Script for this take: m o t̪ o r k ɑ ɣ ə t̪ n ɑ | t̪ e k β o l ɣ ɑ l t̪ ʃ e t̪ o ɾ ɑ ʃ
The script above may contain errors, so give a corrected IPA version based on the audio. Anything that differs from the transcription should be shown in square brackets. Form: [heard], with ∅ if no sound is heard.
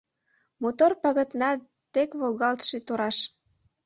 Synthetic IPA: m o t̪ o r [p] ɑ ɣ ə t̪ n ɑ | t̪ e k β o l ɣ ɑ l t̪ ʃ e t̪ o ɾ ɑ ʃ

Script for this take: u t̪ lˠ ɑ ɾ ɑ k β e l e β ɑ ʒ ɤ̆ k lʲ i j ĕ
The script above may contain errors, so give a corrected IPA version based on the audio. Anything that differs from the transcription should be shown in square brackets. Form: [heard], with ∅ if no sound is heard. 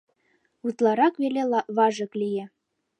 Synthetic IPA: u t̪ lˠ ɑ ɾ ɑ k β e l e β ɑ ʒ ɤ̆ k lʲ i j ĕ

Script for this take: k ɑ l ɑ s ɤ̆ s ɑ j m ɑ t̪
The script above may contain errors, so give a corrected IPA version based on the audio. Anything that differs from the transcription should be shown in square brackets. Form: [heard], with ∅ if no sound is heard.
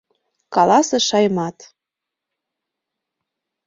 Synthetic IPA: k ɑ l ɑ s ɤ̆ [ʃ] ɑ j m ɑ t̪

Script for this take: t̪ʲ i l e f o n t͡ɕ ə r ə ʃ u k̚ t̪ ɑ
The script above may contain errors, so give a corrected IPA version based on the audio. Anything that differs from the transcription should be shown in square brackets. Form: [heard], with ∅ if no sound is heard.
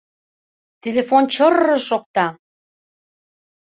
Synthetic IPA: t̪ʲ [e] l e f o n t͡ɕ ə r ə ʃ [o] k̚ t̪ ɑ

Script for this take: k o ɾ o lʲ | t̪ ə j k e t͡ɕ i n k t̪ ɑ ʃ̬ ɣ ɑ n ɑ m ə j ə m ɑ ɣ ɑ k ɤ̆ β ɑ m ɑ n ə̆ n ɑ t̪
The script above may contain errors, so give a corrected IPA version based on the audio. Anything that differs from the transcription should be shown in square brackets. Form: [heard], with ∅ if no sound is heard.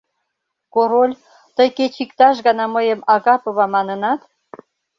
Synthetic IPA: k o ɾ o lʲ | t̪ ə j k e t͡ɕ i [∅] k t̪ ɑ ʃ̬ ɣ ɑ n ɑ m ə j ə m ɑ ɣ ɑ [p] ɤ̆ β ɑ m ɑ n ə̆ n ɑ t̪

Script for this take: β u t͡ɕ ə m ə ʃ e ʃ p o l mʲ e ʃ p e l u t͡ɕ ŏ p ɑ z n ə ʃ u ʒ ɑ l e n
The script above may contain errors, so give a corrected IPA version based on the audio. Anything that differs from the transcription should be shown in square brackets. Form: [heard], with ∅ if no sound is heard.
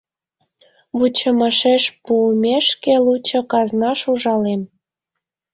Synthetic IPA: β u t͡ɕ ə m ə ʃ e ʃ p [u] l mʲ e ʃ [k] e l u t͡ɕ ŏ [k] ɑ z n [ɑ] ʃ u ʒ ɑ l e [m]

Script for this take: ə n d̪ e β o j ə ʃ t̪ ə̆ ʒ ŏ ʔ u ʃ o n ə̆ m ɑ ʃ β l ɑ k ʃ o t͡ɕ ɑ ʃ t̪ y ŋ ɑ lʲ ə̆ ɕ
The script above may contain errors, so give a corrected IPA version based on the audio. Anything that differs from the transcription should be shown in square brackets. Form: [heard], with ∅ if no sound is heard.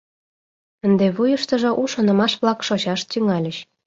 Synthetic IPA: ə n d̪ e β [u] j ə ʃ t̪ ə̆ ʒ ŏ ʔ u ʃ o n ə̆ m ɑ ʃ β l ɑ k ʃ o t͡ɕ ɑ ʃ t̪ y ŋ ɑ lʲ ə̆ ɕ

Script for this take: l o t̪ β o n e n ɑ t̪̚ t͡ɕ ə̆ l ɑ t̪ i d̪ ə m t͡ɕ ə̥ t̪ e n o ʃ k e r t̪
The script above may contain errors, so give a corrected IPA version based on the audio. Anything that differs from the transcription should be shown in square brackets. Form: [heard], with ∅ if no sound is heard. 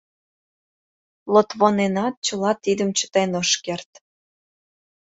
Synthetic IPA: l o t̪ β o n e n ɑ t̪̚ t͡ɕ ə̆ l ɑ t̪ i d̪ ə m t͡ɕ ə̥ t̪ e n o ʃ k e r t̪

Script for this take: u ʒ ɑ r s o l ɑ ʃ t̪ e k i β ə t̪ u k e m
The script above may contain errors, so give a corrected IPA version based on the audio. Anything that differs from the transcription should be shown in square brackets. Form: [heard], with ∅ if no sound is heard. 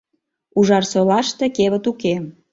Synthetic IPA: u ʒ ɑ r s o l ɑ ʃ t̪ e k [e] β ə t̪ u k e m

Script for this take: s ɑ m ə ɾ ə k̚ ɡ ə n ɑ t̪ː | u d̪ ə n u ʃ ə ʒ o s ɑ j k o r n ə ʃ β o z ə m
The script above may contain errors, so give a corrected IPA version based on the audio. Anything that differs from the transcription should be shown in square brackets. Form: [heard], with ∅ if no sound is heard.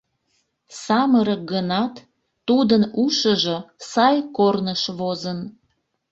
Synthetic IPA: s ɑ m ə ɾ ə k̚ ɡ ə n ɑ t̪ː | u d̪ ə n u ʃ ə ʒ o s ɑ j k o r n ə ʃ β o z ə [n]

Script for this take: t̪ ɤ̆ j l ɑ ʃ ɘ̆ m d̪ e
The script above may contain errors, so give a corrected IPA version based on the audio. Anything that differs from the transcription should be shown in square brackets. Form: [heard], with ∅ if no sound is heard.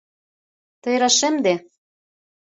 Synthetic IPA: t̪ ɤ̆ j [ɾ] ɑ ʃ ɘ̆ m d̪ e

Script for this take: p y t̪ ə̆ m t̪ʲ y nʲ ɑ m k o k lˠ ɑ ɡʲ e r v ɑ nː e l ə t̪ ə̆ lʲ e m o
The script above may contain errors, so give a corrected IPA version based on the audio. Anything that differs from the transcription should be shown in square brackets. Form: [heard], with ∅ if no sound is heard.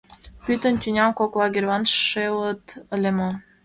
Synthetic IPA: p y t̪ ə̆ [n] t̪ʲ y nʲ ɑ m k o k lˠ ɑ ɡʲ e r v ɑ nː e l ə t̪ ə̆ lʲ e m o

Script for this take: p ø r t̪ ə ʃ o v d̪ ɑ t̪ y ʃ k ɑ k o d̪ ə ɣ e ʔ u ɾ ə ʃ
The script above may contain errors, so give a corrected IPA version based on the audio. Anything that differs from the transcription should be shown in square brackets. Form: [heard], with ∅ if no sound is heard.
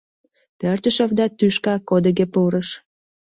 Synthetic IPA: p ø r t̪ ə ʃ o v d̪ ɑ t̪ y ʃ k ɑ k o d̪ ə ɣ e [p] u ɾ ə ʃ

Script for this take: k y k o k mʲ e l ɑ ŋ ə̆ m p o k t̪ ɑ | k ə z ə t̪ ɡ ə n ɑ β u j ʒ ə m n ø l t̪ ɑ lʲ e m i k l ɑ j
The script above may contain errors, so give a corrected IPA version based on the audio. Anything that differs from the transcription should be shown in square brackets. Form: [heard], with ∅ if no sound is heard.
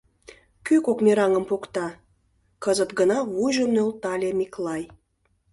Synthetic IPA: k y k o k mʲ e [ɾ] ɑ ŋ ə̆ m p o k t̪ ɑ | k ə z ə t̪ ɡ ə n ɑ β u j ʒ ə m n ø l t̪ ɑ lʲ e m i k l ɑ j

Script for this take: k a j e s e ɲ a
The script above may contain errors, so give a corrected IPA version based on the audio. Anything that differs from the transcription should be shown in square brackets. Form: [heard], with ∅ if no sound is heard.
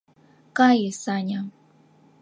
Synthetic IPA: k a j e s [a] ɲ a

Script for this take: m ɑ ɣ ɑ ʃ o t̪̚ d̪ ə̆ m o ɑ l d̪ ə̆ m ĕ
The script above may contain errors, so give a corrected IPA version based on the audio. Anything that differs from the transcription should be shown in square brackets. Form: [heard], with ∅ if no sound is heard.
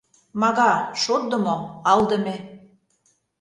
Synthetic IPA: m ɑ ɣ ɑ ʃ o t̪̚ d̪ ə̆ m o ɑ l d̪ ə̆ m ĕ

